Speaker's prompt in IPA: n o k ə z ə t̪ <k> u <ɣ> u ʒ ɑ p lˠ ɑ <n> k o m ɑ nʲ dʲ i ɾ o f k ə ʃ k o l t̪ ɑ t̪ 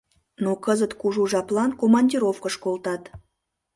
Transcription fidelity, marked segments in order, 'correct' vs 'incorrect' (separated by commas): correct, incorrect, correct